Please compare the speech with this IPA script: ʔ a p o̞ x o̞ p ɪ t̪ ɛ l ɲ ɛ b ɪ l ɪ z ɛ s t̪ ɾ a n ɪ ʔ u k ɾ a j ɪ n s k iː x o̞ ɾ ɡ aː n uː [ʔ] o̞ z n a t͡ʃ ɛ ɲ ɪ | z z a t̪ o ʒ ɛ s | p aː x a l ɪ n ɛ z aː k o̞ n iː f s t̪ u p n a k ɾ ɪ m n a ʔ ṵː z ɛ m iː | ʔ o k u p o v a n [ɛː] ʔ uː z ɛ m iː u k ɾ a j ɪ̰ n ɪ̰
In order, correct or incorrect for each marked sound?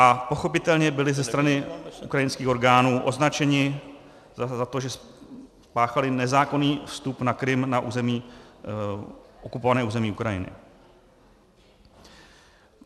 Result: correct, correct

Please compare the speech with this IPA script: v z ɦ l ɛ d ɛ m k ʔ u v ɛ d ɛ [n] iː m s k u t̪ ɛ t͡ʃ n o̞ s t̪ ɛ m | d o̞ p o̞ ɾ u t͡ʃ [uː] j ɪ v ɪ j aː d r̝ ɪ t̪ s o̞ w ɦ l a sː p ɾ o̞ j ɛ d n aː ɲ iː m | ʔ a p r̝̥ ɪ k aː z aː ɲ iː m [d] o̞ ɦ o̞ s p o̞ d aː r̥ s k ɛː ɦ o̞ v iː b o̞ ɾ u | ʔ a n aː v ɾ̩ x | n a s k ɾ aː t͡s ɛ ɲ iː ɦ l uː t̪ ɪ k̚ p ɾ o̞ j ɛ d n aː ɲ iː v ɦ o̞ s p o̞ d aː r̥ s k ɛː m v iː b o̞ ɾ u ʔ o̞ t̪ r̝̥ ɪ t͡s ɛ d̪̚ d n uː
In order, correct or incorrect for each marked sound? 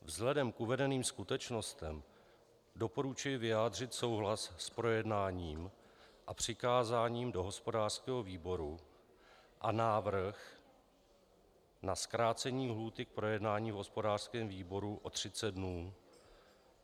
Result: correct, incorrect, correct

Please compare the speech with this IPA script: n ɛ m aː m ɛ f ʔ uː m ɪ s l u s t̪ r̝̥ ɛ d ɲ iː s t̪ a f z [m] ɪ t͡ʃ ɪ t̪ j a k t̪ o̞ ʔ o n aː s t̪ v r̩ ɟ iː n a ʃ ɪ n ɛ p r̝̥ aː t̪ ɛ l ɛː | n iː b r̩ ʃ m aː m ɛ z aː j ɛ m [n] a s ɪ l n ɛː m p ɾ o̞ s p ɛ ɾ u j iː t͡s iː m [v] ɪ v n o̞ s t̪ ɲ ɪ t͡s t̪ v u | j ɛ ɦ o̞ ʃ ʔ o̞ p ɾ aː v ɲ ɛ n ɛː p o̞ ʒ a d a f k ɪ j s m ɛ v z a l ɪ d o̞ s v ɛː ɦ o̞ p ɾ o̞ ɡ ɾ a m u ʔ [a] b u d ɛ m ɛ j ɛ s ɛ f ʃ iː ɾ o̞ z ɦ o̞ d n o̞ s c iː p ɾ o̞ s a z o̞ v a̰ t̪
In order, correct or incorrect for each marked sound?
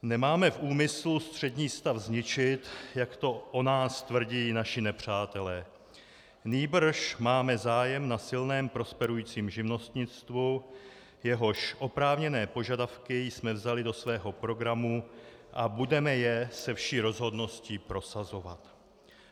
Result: incorrect, correct, incorrect, correct

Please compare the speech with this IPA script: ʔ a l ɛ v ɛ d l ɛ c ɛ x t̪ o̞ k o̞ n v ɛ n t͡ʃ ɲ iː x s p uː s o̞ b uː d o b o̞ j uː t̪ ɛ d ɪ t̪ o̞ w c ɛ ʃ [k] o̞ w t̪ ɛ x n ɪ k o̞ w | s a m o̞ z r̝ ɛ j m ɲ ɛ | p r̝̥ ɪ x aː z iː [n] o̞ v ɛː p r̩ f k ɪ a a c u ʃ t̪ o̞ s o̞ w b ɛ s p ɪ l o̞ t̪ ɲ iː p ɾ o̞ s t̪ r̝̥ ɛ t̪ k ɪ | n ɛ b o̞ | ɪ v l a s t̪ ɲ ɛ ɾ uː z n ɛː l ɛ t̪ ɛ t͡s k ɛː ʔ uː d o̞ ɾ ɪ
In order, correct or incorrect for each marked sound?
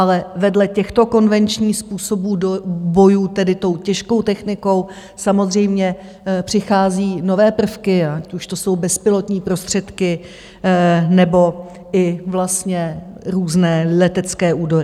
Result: correct, correct

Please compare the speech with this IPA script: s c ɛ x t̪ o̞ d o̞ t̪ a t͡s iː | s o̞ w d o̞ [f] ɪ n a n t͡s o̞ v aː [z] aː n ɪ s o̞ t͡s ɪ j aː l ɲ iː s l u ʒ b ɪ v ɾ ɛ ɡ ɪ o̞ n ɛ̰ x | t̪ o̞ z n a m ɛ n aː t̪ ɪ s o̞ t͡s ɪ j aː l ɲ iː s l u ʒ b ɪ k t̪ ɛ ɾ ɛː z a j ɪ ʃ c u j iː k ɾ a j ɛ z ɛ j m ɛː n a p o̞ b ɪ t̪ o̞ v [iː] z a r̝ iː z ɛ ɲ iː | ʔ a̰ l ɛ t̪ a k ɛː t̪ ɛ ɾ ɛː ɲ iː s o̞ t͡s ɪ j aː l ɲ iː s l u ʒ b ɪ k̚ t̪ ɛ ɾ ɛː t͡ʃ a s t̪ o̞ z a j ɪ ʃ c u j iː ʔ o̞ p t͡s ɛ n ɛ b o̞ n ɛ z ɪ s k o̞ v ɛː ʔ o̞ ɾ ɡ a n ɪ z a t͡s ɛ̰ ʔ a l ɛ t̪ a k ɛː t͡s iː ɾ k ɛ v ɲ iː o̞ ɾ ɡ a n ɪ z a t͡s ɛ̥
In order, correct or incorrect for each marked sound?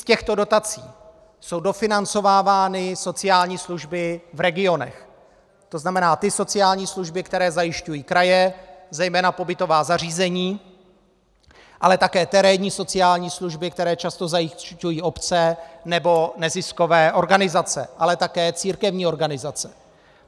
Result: correct, incorrect, incorrect

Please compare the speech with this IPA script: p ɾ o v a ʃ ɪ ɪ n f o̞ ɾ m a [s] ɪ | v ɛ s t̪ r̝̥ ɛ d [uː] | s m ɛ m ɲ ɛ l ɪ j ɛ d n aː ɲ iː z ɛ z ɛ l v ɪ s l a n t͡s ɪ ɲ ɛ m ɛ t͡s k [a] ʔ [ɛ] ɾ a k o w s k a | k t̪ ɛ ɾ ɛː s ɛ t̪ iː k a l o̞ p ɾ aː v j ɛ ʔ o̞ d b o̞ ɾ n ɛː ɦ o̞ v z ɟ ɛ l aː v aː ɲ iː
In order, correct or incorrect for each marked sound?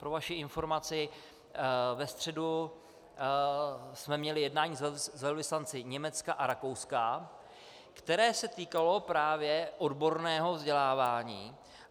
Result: incorrect, incorrect, correct, incorrect

